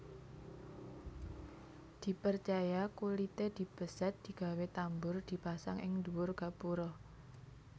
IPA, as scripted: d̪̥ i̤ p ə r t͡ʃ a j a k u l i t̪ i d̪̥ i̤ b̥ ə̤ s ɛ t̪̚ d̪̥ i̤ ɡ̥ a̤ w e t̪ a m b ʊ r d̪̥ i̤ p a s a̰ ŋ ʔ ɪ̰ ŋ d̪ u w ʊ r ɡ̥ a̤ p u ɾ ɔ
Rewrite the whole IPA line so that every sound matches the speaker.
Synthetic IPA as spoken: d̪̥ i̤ p ə r t͡ʃ a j a k u l i t̪ e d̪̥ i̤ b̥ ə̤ s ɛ t̪̚ d̪̥ i̤ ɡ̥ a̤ w e t̪ a m b ʊ r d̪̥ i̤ p a s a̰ ŋ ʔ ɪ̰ ŋ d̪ u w ʊ r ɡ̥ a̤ p u ɾ ɔ